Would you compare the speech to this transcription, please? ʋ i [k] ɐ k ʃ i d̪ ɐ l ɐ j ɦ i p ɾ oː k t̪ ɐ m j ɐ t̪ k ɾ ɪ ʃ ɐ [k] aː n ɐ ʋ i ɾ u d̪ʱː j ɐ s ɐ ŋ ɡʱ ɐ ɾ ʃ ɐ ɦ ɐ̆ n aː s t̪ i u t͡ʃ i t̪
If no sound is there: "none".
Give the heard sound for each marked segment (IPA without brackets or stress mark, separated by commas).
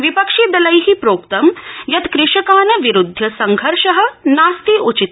p, k